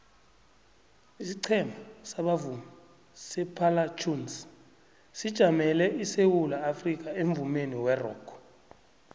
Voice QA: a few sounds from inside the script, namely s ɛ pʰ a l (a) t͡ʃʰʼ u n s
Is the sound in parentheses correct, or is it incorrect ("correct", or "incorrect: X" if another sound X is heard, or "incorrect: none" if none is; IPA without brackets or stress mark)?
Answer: correct